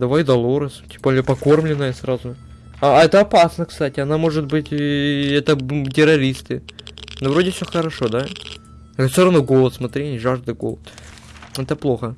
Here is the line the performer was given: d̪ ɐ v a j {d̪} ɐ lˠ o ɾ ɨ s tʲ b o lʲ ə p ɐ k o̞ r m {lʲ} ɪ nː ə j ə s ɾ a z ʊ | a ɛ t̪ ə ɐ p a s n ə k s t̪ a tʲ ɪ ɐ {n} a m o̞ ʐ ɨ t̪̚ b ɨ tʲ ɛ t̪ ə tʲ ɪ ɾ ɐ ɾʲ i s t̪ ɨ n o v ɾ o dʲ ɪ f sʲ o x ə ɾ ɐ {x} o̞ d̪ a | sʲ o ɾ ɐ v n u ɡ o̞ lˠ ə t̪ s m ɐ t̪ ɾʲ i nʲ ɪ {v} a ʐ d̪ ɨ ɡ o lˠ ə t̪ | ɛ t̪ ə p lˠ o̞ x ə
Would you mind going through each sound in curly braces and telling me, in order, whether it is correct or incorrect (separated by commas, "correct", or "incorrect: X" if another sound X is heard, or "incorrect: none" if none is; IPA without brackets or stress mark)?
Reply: correct, correct, correct, incorrect: ʂ, incorrect: ʐ